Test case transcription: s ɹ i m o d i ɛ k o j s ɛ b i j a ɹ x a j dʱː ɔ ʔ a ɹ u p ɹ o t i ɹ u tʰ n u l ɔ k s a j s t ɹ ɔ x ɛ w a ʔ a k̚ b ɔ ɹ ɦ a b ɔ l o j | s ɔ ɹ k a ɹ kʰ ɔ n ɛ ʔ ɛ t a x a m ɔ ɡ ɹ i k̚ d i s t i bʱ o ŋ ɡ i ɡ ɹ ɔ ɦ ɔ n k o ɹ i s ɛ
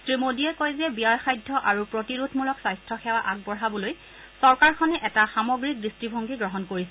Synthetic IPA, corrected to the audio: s ɹ i m o d i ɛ k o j z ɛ b i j a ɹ x a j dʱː ɔ ʔ a ɹ u p ɹ o t i ɹ u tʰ m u l ɔ k s a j s t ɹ ɔ x ɛ w a ʔ a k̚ b ɔ ɹ ɦ a b ɔ l o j | s ɔ ɹ k a ɹ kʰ ɔ n ɛ ʔ ɛ t a x a m ɔ ɡ ɹ i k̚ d i s t i bʱ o ŋ ɡ i ɡ ɹ ɔ ɦ ɔ n k o ɹ i s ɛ